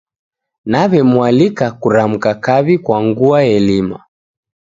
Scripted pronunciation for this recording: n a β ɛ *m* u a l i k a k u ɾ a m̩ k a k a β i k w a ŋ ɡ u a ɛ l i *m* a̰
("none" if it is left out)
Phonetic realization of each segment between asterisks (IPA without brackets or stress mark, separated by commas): m, m